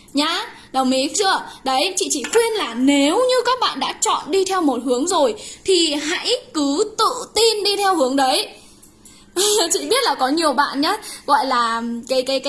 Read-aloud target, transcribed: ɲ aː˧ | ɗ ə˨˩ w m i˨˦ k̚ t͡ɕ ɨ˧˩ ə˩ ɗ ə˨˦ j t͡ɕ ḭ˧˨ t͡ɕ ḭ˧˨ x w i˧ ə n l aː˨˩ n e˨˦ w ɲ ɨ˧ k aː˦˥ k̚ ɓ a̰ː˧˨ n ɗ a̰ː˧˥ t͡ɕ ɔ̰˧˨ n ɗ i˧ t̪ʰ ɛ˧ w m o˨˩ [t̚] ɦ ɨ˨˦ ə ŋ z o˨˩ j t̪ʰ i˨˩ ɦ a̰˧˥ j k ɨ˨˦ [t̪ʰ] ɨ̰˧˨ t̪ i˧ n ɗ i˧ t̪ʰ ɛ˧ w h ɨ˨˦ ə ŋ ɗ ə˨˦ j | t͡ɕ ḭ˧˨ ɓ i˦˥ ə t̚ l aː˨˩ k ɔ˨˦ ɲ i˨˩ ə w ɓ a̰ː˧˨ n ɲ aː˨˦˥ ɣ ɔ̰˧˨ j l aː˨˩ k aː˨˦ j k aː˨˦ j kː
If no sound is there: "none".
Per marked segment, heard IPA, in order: t̚, t̪

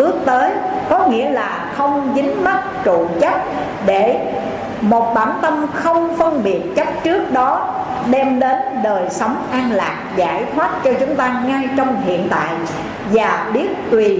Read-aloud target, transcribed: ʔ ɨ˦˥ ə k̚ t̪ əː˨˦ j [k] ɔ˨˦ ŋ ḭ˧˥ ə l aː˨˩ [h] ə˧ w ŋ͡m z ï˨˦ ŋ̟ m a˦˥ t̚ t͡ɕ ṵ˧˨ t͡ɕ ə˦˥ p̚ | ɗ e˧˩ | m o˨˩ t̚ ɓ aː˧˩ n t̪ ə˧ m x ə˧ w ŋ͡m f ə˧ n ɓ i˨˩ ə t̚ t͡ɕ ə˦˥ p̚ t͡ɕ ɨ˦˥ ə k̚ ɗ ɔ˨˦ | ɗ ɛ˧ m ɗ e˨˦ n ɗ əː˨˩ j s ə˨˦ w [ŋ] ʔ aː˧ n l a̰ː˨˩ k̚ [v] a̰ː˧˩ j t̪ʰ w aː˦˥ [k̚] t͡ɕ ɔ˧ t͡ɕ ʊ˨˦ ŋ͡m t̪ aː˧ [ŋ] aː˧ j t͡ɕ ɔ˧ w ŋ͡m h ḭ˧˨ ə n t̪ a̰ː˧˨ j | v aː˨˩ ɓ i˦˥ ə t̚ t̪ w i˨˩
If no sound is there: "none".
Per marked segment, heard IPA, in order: k, x, ŋ͡m, z, t̚, ŋ

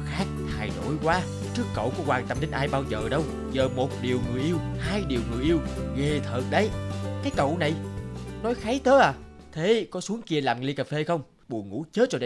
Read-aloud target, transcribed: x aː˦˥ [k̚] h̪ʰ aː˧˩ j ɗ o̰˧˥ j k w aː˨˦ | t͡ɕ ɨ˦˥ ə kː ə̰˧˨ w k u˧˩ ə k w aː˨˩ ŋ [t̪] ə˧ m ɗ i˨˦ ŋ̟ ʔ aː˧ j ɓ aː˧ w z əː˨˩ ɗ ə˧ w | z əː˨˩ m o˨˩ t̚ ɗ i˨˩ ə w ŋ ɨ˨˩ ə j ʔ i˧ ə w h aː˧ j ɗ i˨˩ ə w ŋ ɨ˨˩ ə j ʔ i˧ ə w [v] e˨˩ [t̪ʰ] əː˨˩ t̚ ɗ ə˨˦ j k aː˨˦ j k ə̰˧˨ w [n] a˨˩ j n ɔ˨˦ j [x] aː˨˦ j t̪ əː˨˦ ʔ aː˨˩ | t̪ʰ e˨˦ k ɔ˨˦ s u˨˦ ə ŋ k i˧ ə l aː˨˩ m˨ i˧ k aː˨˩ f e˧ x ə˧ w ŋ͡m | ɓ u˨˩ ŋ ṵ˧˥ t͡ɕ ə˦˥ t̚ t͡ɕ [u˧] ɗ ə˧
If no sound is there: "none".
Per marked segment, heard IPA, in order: k̚, t̪, ɣ, t̪ʰ, n, x, ɔ˧

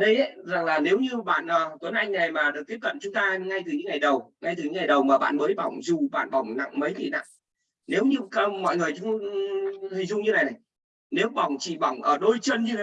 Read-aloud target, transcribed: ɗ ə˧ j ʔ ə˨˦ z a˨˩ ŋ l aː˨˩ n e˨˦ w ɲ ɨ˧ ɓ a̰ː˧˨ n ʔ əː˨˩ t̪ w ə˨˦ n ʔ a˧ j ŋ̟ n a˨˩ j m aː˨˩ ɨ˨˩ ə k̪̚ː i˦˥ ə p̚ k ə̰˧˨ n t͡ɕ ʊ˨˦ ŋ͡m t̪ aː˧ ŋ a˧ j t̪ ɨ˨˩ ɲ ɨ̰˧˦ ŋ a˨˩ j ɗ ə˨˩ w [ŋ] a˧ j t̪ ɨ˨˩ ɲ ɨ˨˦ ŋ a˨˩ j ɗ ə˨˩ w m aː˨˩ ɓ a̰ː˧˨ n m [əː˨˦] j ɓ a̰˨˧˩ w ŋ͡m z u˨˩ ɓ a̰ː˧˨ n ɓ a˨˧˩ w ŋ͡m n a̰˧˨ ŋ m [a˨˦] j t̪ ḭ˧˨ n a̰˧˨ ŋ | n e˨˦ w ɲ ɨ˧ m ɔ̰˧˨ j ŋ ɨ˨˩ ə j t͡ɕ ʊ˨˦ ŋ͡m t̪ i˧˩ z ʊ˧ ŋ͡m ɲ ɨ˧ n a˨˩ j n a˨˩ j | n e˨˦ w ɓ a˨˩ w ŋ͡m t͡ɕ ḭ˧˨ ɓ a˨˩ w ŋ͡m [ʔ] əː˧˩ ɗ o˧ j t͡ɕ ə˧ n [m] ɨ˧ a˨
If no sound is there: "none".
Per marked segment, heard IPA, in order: ŋ, əː˨˦, ə˨˦, ʔ, ɲ

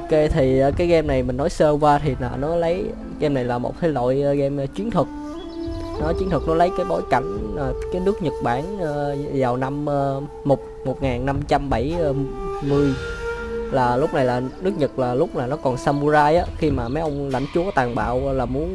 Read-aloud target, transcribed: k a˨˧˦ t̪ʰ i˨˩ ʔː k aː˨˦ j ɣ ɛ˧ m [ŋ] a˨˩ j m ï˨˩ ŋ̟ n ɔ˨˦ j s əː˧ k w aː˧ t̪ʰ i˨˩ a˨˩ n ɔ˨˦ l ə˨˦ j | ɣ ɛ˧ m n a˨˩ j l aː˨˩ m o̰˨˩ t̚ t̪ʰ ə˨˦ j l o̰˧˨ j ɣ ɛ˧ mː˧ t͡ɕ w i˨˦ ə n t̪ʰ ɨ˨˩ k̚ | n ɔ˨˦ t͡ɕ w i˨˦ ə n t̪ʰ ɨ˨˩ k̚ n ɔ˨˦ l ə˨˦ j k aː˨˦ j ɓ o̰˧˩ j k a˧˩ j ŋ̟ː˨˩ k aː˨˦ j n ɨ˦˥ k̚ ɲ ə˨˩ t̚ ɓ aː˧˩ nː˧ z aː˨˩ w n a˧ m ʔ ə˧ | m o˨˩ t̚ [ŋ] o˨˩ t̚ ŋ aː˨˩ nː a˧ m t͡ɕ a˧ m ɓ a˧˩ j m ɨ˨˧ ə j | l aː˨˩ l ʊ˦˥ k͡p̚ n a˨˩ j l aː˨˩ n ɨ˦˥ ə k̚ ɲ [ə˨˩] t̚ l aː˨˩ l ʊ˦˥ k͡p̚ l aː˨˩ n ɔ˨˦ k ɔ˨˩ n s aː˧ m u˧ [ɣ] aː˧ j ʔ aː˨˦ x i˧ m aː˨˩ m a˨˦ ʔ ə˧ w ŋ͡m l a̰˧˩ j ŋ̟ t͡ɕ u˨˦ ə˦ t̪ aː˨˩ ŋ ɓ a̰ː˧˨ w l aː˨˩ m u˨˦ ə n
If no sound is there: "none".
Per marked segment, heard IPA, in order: n, m, ə˨˩, z

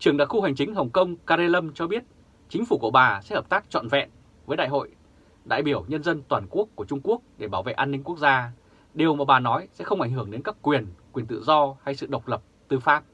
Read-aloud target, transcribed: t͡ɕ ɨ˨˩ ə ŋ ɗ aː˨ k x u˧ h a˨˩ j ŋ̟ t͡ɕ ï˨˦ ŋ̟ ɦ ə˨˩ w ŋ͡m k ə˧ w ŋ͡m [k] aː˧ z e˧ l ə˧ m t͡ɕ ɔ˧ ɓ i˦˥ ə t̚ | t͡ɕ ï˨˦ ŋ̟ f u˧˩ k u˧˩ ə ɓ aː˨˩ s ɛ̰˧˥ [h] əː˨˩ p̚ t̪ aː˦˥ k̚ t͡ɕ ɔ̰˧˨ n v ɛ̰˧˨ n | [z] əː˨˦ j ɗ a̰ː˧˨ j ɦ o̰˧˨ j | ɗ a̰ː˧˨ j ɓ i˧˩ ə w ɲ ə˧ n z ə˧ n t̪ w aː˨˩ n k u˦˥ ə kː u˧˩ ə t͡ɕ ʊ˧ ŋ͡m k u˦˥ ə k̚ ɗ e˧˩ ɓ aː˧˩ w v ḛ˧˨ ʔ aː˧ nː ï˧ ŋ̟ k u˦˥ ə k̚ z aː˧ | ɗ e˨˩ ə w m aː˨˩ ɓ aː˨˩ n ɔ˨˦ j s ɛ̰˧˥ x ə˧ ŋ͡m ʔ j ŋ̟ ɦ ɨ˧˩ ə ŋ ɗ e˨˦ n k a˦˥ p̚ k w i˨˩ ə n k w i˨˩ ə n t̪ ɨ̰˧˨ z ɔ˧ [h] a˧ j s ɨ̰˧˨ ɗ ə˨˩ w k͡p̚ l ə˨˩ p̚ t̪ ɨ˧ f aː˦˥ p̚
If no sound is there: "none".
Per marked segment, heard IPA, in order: k, h, v, h

